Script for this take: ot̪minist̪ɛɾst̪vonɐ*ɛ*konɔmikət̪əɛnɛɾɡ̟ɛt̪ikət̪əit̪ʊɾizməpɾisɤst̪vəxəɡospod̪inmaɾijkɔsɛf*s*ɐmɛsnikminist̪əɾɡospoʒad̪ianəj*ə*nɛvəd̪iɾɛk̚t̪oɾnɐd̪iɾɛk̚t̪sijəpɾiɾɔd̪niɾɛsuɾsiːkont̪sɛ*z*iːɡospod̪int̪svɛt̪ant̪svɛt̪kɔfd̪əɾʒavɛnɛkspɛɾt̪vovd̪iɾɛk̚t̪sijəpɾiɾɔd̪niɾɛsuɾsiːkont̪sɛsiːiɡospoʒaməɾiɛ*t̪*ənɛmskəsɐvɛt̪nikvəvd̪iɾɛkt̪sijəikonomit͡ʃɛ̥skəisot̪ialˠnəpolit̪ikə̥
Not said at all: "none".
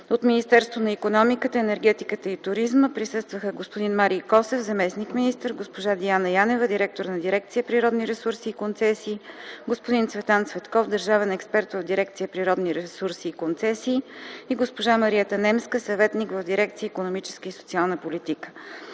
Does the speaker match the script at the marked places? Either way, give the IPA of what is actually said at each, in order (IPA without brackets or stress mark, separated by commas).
i, z, a, s, t̪